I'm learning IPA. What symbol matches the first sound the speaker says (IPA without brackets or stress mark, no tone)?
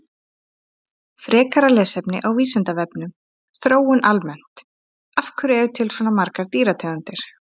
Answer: f